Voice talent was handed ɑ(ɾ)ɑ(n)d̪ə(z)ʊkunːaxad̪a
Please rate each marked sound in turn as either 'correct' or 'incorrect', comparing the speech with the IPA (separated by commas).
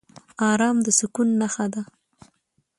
correct, incorrect, incorrect